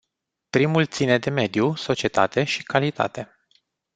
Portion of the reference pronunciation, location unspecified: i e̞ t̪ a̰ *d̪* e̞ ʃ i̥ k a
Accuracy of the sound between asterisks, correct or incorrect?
incorrect: t̪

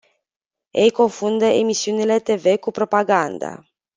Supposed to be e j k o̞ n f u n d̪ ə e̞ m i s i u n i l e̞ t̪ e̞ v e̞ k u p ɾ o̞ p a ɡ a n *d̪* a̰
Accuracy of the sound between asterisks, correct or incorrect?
correct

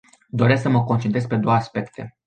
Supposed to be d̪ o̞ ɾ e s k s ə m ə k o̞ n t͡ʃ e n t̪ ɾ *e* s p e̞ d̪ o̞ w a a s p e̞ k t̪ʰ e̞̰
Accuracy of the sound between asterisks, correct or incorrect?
correct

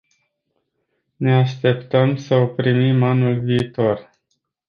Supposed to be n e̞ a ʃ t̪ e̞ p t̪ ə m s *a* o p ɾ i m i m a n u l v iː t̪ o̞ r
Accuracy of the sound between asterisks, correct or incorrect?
incorrect: ə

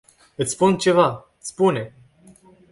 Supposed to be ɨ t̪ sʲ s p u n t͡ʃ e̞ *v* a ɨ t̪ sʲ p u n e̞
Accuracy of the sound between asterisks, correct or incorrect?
correct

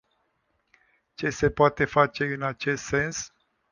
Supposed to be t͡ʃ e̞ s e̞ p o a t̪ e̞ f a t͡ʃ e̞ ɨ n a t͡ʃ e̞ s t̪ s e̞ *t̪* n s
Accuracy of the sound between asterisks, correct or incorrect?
incorrect: none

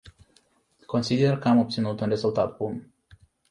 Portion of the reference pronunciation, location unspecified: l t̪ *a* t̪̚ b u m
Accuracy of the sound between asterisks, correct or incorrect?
correct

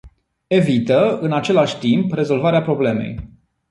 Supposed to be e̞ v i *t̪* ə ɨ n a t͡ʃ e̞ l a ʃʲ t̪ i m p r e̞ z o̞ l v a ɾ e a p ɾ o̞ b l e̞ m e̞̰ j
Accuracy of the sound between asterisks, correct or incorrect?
correct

